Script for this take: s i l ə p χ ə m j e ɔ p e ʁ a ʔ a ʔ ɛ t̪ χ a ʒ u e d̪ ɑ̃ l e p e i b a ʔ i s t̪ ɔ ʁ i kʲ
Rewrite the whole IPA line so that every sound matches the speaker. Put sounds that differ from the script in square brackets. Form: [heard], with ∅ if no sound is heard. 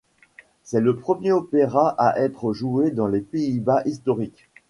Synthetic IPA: s [ɛ] l ə p χ ə m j e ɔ p e ʁ a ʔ a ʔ ɛ t̪ χ [ə] ʒ u e d̪ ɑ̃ l e p e i b a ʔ i s t̪ ɔ ʁ i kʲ